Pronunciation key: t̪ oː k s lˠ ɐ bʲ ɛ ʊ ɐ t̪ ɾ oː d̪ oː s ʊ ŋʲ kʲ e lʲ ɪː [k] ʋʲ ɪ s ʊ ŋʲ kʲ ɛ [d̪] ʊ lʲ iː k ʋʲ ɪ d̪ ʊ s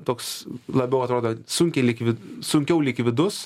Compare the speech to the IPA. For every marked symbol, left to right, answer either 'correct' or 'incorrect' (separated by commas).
correct, incorrect